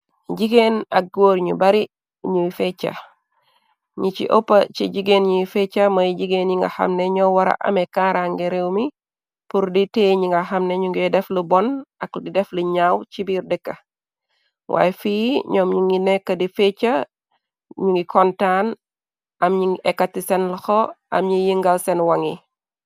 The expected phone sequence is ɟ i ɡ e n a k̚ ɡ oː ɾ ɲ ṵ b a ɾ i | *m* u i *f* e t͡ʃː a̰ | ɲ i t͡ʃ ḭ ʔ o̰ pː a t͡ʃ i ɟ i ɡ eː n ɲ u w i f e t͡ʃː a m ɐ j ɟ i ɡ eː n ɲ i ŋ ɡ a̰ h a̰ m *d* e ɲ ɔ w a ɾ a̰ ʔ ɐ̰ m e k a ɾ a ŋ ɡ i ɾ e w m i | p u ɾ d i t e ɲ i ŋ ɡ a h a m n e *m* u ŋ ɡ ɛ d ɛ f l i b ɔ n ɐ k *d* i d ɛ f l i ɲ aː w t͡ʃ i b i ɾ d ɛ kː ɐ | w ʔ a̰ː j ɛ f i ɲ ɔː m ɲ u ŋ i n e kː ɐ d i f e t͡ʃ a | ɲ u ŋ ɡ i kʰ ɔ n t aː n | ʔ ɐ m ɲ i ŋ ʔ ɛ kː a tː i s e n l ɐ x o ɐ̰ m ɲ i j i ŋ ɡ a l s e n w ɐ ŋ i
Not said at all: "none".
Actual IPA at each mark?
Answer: ɲ, f, n, ɲ, d

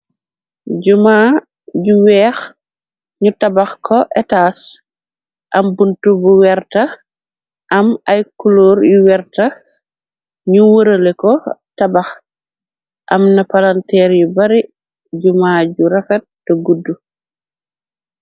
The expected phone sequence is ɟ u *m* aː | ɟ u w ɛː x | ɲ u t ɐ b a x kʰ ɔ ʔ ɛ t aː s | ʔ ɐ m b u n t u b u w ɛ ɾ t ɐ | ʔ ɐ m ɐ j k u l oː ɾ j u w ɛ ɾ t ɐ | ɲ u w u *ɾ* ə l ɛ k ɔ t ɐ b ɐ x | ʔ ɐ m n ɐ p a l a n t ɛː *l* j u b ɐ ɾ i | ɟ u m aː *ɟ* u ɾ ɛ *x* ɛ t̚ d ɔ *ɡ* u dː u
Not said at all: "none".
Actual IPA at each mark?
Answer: m, ɾ, ɾ, ɟ, f, ɡ

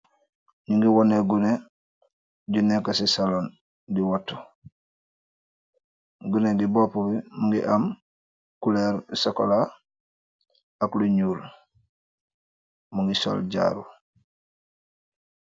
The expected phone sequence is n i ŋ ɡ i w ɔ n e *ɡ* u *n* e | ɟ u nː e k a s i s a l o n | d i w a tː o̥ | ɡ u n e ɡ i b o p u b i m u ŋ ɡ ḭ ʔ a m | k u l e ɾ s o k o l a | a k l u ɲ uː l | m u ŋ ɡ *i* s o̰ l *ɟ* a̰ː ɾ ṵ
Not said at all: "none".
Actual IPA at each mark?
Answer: ɡ, n, i, ɟ

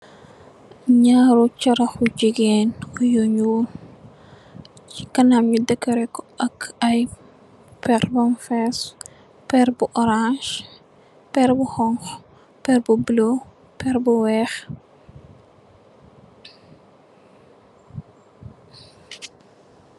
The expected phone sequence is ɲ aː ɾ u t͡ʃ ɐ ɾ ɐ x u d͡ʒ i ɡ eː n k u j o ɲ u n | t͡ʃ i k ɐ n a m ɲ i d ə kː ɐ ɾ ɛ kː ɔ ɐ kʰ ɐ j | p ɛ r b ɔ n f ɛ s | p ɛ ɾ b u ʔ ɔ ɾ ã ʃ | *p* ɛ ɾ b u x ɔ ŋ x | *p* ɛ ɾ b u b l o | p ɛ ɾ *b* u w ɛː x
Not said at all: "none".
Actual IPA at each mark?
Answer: p, p, b

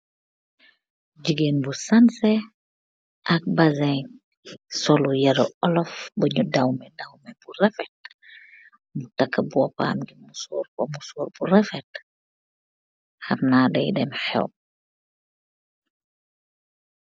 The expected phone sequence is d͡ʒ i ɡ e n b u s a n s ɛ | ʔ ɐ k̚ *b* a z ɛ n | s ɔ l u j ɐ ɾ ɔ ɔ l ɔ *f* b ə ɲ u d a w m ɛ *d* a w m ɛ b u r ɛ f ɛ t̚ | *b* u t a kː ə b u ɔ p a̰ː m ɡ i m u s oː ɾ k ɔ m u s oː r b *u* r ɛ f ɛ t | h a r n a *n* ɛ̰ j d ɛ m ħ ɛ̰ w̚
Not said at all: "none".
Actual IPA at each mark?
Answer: b, f, d, m, u, d

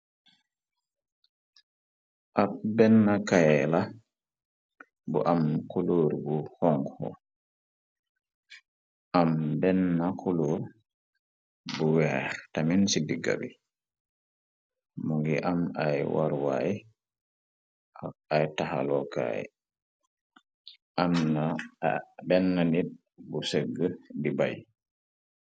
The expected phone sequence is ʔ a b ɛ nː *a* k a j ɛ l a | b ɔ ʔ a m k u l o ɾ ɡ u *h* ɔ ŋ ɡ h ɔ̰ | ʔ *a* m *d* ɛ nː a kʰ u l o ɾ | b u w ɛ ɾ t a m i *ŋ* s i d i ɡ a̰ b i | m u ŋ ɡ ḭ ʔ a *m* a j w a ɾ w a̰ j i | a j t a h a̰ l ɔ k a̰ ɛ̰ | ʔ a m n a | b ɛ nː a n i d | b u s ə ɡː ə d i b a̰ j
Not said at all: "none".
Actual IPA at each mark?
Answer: a, h, a, b, n, m

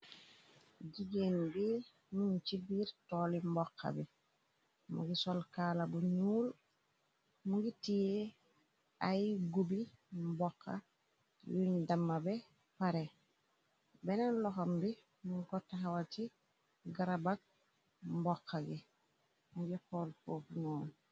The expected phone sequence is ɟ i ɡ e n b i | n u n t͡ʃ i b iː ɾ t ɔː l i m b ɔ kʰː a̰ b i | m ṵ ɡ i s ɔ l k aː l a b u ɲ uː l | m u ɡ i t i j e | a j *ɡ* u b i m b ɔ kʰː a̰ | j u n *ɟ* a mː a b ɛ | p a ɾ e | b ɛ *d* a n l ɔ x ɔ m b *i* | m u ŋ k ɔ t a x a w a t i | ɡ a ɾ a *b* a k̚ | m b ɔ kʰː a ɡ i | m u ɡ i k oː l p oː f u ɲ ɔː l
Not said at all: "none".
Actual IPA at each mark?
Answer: ɡ, d, n, i, b

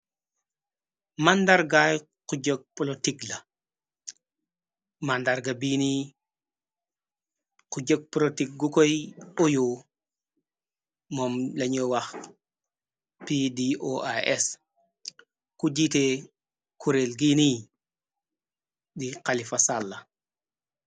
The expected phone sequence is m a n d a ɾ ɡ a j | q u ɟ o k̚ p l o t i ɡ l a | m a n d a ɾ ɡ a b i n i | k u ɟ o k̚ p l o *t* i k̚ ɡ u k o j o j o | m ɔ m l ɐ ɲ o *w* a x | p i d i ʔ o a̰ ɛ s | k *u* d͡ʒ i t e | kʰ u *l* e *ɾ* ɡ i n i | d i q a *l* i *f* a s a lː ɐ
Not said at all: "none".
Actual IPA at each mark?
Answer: t, w, u, ɾ, l, l, f

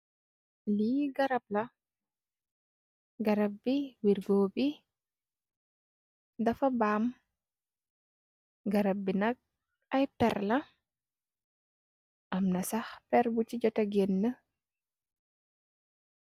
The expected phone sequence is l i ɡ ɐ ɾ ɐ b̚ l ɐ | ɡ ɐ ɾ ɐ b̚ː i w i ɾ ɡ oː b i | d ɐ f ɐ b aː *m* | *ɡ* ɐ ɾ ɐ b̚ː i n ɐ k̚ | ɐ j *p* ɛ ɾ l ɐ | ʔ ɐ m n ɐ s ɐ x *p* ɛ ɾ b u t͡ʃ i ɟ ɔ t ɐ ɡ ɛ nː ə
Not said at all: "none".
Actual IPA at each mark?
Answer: m, ɡ, p, p

